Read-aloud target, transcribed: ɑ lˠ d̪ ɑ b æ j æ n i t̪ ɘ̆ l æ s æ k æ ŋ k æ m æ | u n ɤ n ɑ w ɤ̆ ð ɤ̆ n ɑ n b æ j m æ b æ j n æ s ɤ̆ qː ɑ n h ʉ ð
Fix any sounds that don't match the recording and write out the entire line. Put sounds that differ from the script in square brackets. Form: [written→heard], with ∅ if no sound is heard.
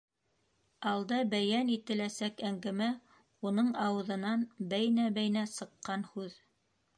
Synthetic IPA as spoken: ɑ lˠ d̪ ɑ b æ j æ n i t̪ ɘ̆ l æ s æ k æ ŋ [k→ɡ] æ m æ | u n ɤ [n→ɴ] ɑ w ɤ̆ ð ɤ̆ n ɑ n b æ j [m→n] æ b æ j n æ s ɤ̆ qː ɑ n h ʉ ð